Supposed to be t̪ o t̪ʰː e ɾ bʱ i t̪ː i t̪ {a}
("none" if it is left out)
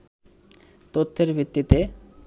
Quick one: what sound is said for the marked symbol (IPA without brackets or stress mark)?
e